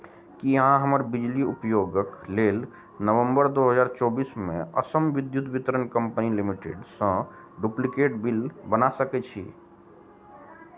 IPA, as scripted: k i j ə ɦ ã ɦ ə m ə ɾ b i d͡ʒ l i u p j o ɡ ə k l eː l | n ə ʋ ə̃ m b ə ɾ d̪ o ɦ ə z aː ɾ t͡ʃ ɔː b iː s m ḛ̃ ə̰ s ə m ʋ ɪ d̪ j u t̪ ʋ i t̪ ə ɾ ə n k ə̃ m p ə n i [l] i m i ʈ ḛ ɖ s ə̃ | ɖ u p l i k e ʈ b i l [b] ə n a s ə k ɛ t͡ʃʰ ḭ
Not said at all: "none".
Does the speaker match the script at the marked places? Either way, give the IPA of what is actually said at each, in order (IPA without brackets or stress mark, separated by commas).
l, b